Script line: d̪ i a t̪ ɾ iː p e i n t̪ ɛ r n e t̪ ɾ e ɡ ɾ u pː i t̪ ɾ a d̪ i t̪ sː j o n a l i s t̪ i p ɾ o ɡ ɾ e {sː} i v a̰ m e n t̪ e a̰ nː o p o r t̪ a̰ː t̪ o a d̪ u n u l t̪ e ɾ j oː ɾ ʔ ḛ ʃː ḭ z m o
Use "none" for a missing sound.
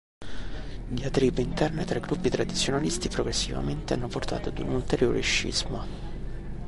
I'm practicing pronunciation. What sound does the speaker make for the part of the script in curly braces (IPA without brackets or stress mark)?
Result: sː